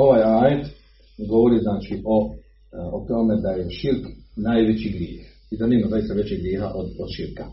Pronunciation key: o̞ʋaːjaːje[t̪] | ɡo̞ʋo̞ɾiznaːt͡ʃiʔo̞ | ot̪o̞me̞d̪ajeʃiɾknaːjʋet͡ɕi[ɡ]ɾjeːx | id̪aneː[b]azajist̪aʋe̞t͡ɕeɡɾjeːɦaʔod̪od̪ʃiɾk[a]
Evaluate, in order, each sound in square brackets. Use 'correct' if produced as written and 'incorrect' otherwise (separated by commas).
correct, correct, incorrect, correct